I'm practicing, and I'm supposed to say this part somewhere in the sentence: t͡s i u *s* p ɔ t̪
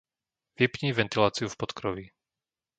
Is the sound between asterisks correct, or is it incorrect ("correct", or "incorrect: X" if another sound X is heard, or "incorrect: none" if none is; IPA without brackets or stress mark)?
incorrect: f